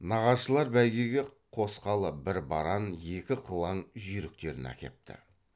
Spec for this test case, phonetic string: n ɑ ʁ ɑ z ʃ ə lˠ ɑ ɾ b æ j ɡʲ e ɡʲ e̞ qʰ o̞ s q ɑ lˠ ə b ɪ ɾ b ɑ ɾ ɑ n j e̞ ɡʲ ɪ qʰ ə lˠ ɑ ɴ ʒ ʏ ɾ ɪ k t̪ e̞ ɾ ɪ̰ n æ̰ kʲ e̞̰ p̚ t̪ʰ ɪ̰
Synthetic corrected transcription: n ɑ ʁ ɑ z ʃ ə lˠ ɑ ɾ b æ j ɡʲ e ɡʲ e̞ qʰ o̞ s q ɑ lˠ ə b ɪ ɾ b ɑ ɾ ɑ n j e̞ kʲ ɪ qʰ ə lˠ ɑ ɴ ʒ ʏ ɾ ɪ k t̪ e̞ ɾ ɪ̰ n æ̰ kʲ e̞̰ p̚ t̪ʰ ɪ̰